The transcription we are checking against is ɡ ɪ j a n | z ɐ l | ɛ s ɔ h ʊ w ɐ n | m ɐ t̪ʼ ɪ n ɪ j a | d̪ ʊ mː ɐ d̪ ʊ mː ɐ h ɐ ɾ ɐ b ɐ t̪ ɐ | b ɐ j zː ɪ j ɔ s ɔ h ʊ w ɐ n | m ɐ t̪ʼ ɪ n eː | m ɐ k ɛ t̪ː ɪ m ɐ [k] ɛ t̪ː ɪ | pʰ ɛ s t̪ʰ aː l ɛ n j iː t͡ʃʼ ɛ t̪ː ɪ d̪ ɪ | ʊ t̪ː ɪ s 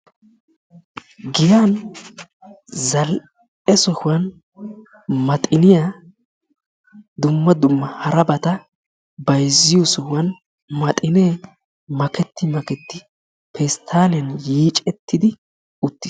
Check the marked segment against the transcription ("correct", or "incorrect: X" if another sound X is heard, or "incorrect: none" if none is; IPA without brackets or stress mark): correct